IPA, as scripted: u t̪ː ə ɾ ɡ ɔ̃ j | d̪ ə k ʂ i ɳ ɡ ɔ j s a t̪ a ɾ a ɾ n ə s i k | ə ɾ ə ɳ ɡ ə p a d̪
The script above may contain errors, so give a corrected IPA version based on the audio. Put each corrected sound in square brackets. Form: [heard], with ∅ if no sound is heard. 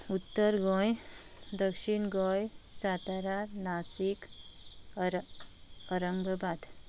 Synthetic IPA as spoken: u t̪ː ə ɾ ɡ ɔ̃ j | d̪ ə k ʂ i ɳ ɡ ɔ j s a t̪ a ɾ a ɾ n [a] s i k | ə ɾ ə [ŋ] ɡ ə [b] a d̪